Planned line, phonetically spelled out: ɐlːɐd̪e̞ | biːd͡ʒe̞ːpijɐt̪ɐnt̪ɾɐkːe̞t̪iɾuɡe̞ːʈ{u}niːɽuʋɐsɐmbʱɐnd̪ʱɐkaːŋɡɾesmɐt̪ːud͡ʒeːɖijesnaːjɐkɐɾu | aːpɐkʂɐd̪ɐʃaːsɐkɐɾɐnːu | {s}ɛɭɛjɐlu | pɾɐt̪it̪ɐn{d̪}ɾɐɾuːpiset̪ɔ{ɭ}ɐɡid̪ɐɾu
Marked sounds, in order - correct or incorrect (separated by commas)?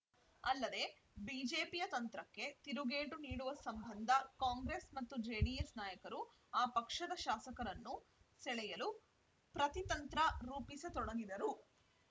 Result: correct, correct, incorrect, incorrect